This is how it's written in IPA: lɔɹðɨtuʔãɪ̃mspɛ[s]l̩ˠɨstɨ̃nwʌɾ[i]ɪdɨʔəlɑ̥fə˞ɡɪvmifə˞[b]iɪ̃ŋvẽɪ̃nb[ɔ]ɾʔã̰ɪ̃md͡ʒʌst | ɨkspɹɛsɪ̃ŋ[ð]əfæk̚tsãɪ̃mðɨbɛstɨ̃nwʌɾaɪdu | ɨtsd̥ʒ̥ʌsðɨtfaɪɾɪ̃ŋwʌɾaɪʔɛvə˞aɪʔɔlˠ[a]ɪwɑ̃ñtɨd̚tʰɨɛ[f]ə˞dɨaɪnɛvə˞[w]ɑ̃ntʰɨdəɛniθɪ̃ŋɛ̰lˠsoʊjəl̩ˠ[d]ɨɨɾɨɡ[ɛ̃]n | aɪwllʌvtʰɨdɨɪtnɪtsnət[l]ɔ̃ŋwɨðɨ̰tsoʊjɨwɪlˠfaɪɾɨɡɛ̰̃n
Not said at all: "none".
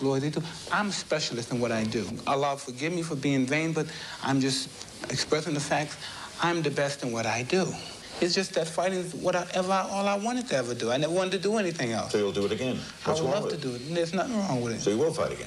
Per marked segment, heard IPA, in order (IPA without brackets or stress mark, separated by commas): ʃ, a, b, ʌ, ð, a, v, w, d, ɛ̃, ɹ